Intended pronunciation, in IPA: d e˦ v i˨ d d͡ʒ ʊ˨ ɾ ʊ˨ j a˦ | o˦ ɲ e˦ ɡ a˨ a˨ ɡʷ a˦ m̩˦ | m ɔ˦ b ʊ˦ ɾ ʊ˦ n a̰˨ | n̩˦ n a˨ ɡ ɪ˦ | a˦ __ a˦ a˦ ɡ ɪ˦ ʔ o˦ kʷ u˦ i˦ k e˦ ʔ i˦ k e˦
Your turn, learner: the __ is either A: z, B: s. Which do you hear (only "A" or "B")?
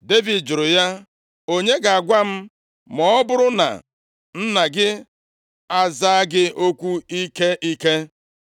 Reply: A